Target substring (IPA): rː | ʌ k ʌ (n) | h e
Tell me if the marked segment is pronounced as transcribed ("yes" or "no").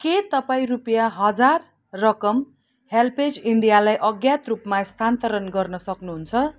no